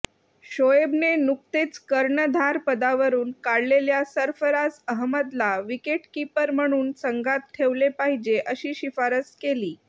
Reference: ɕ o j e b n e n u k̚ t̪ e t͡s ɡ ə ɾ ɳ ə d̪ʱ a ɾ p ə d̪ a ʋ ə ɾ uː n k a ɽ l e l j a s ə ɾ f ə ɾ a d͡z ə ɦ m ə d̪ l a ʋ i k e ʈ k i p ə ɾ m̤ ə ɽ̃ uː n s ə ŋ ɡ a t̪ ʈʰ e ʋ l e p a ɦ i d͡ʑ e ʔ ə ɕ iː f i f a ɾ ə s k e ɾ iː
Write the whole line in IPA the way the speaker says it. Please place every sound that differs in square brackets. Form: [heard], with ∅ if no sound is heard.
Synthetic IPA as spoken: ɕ o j e b n e n u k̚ t̪ e t͡s [k] ə ɾ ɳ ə d̪ʱ a ɾ p ə d̪ a ʋ ə ɾ uː n k a ɽ l e l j a s ə ɾ f ə ɾ a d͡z ə ɦ m ə d̪ l a ʋ i k e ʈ k i p ə ɾ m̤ ə ɽ̃ uː n s ə ŋ ɡ a t̪ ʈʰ e ʋ l e p a ɦ i d͡ʑ e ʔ ə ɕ iː [ɕ] i f a ɾ ə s k e [l] iː

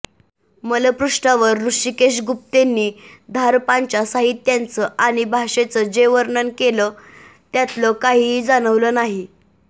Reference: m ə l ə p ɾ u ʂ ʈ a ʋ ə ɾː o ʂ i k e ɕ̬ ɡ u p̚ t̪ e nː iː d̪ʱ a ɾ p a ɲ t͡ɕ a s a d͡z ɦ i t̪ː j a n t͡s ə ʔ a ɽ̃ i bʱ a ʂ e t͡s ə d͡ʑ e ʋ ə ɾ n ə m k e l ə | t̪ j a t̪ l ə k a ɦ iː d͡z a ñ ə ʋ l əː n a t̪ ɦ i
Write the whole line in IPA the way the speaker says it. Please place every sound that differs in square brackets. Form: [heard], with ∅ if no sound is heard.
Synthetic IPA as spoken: m ə l ə p ɾ u ʂ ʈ a ʋ ə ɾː [u] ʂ i k e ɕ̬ ɡ u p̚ t̪ e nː iː d̪ʱ a ɾ p a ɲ t͡ɕ a s a [∅] ɦ i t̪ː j a n t͡s ə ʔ a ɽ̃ i bʱ a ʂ e t͡s ə d͡ʑ e ʋ ə ɾ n ə [n] k e l ə | t̪ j a t̪ l ə k a ɦ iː d͡z a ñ ə ʋ l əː n a [∅] ɦ i

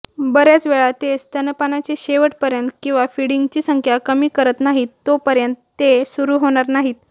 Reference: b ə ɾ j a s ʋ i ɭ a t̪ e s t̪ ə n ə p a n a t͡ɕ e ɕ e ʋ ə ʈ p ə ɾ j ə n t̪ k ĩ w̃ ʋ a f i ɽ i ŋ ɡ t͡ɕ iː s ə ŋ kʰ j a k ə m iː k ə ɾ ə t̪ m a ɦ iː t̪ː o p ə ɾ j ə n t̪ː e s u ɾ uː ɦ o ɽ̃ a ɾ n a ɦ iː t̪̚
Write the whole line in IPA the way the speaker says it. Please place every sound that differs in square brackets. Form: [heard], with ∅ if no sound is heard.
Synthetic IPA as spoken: b ə ɾ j a [t͡s] ʋ [e] ɭ a t̪ e s t̪ ə n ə p a n a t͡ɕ e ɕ e ʋ ə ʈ p ə ɾ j ə n t̪ k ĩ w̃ ʋ a f i ɽ i ŋ ɡ t͡ɕ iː s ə ŋ kʰ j a k ə m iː k ə ɾ ə t̪ [n] a ɦ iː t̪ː o p ə ɾ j ə n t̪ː e s u ɾ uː ɦ o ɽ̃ a ɾ n a ɦ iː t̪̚

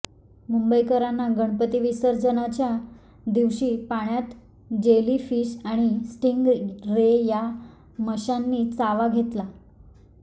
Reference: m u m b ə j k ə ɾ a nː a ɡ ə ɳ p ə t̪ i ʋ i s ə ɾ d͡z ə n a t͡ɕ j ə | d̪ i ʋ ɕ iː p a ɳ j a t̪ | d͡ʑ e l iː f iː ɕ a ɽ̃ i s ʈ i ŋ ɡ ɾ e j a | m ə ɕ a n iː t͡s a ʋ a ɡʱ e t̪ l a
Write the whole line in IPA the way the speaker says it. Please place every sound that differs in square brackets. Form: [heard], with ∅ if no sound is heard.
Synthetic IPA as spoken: m u m b ə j k ə ɾ a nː a ɡ ə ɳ p ə t̪ i ʋ i s ə ɾ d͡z ə n a t͡ɕ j [a] | d̪ i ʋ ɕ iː p a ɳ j a t̪ | d͡ʑ e l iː f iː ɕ a ɽ̃ i s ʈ i ŋ ɡ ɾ e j a | m ə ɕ a [nː] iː t͡s a ʋ a ɡʱ e t̪ l a

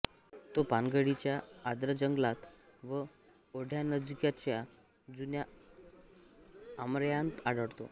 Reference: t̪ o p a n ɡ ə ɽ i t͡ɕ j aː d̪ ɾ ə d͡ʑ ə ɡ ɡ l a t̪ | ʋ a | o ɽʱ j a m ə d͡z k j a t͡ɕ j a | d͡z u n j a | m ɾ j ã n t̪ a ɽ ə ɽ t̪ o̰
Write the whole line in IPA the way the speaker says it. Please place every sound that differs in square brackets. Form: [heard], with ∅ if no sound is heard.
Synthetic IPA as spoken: t̪ o p a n ɡ ə ɽ i t͡ɕ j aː d̪ ɾ ə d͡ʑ ə [ŋ] ɡ l a t̪ | ʋ [ə] | o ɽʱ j a [n] ə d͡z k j a t͡ɕ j a | d͡z u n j a | m ɾ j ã n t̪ a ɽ ə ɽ t̪ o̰

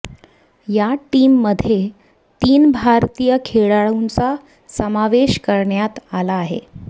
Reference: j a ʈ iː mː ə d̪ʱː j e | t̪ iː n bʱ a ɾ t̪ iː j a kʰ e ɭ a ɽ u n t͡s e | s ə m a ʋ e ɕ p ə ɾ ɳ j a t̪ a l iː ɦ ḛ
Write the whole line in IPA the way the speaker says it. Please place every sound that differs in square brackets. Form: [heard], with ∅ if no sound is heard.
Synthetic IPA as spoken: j a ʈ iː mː ə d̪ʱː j e | t̪ iː n bʱ a ɾ t̪ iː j [ə] kʰ e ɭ a [ɭ] u n t͡s [a] | s ə m a ʋ e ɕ [k] ə ɾ ɳ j a t̪ a l [aː] ɦ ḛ

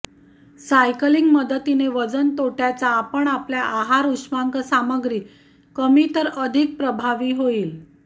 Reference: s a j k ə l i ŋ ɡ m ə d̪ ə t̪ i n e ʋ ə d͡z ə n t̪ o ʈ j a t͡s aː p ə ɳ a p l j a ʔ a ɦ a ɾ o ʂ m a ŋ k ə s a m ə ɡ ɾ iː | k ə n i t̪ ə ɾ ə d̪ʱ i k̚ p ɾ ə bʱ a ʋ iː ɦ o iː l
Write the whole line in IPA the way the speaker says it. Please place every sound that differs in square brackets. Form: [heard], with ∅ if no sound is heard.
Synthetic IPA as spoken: s a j k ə l i ŋ ɡ m ə d̪ ə t̪ i n e ʋ ə d͡z ə n t̪ o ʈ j a t͡s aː p ə ɳ a p l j a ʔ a ɦ a ɾ [u] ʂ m a ŋ k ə s a m ə ɡ ɾ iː | k ə [m] i t̪ ə ɾ ə d̪ʱ i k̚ p ɾ ə bʱ a ʋ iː ɦ o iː l

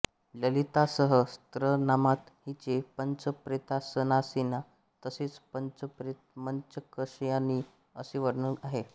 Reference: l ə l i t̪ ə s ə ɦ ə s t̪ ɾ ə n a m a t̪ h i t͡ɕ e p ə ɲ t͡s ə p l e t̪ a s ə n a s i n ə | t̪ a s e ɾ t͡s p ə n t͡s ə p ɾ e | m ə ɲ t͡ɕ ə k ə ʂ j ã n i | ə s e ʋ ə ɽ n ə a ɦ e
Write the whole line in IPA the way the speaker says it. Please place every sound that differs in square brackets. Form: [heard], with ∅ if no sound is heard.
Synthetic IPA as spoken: l ə l i t̪ [a] s ə ɦ ə s t̪ ɾ ə n a m a t̪ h i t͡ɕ e p ə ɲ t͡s ə p [ɾ] e t̪ a s ə n a s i n [a] | t̪ [ə] s e [∅] t͡s p ə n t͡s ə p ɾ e | m ə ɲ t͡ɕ ə k ə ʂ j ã n i | ə s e ʋ ə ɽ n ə a ɦ e

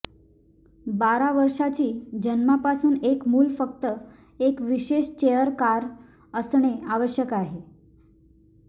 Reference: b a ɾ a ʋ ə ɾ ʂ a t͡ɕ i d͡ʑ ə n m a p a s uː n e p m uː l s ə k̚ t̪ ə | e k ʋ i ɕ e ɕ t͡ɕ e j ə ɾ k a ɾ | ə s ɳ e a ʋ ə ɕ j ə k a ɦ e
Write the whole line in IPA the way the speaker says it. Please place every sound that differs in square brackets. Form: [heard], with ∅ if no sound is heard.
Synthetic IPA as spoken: b a ɾ a ʋ ə ɾ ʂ a t͡ɕ [iː] d͡ʑ ə n m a p a s uː n e [k] m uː l [f] ə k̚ t̪ ə | e k ʋ i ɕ e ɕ t͡ɕ e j ə ɾ k a ɾ | ə s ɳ e a ʋ ə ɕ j ə k a ɦ e

